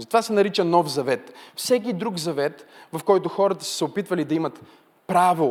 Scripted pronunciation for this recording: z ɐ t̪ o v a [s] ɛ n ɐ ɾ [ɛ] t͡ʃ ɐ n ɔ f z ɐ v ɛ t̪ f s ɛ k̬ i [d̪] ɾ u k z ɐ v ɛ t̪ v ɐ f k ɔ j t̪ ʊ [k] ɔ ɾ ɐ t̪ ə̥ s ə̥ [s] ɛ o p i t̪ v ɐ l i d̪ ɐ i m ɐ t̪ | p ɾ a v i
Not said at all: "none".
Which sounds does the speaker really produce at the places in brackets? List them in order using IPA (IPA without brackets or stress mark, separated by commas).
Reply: s, i, d̪, x, s